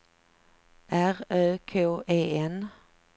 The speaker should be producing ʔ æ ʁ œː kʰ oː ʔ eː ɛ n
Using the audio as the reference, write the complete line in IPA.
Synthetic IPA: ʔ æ ʁ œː kʰ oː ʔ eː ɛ n

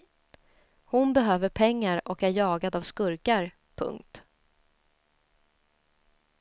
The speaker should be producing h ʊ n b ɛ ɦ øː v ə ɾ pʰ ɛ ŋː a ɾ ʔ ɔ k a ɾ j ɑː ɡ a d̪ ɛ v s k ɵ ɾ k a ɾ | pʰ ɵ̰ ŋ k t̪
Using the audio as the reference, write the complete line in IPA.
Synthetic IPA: h ʊ n b ɛ ɦ øː v ə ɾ pʰ ɛ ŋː a ɾ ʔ ɔ k æ ɾ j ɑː ɡ a d̪ a v s k ɵ ɾ k a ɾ | pʰ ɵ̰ ŋ k t̪

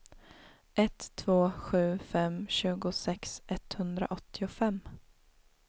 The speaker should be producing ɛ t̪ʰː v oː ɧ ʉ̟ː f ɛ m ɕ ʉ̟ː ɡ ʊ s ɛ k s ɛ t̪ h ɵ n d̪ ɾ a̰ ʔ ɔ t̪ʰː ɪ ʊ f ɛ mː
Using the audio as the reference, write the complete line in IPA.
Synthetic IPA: ɛ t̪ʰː v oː ɧ ʉ̟ː f ɛ m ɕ ʉ̟ː ɡ ʊ s ɛ k s ɛ t̪ h ɵ n d̪ ɾ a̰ ʔ ɔ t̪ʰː ɪ ʊ f ɛ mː

